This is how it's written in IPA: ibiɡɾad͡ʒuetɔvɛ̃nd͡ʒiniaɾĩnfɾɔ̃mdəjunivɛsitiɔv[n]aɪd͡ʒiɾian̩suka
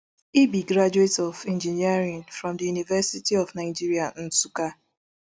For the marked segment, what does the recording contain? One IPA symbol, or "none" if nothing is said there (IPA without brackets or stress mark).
n